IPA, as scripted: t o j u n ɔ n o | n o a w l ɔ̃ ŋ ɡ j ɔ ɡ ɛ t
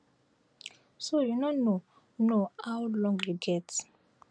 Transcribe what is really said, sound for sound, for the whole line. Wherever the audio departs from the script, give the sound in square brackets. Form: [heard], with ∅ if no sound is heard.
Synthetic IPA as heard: [s] o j u n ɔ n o | n o a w l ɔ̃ ŋ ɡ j [u] ɡ ɛ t

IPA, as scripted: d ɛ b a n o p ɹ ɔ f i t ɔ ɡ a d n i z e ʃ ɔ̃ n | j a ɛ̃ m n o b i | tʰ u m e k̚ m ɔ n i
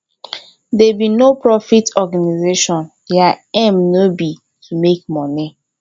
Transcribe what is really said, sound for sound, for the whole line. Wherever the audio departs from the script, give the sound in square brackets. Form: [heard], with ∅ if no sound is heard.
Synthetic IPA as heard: d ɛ b [i] n o p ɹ ɔ f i t ɔ ɡ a [∅] n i z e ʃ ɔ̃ n | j a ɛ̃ m n o b i | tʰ u m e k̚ m ɔ n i

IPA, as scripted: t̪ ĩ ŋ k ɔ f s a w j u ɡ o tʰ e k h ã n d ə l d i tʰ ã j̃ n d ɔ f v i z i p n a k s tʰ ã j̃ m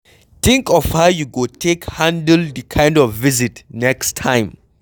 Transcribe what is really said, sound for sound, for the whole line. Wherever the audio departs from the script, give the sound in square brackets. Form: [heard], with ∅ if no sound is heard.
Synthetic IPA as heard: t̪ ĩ ŋ k ɔ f [h] a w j u ɡ o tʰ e k h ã n d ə l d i [kʰ] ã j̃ n d ɔ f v i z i [t] n [ɛ] k s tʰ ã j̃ m

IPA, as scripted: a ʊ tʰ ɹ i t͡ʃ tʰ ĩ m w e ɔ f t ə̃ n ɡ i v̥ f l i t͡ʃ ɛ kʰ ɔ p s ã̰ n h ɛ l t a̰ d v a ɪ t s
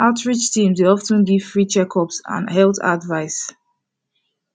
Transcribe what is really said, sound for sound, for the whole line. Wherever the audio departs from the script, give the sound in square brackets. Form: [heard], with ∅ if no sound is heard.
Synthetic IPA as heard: a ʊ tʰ ɹ i t͡ʃ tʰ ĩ m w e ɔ f t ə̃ n ɡ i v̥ f [ɹ] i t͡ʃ ɛ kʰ ɔ p s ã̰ n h ɛ l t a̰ d v a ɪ [∅] s

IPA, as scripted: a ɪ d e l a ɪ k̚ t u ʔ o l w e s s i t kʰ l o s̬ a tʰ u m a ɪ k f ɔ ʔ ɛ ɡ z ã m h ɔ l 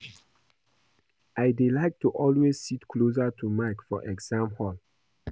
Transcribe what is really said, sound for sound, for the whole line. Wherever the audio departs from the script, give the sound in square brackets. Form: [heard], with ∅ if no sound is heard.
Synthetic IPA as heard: a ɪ d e l a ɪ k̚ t u ʔ [ɔ] l w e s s i t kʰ l o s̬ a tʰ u m a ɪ k f ɔ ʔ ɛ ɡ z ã m h ɔ l

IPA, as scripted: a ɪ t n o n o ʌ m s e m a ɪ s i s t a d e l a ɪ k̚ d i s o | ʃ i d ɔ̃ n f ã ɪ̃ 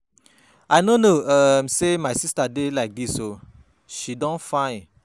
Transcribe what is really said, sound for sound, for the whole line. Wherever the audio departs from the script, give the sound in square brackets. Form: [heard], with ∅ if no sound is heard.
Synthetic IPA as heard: a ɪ [∅] n o n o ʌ m s e m a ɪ s i s t a d e l a ɪ k̚ d i s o | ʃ i d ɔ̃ n f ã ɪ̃

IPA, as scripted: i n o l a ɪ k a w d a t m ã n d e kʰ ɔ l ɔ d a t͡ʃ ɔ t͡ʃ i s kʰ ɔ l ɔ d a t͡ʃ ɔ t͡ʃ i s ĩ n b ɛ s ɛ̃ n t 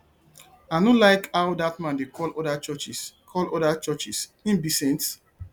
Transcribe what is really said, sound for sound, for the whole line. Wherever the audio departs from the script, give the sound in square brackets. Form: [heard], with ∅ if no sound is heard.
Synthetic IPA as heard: [a] n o l a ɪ k a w d a t m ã n d e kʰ ɔ l ɔ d a t͡ʃ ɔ t͡ʃ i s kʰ ɔ l ɔ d a t͡ʃ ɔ t͡ʃ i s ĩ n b [i] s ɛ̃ n t

